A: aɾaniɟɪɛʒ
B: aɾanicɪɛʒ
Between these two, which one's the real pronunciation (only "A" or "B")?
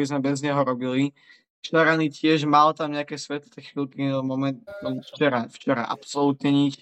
B